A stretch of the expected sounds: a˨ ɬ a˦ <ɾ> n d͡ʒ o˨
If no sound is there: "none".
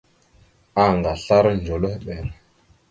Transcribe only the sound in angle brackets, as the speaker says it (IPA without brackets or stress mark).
ɾ